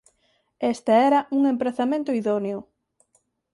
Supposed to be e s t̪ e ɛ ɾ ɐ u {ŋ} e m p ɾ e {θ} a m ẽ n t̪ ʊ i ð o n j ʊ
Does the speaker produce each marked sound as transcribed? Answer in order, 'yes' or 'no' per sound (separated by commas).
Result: yes, yes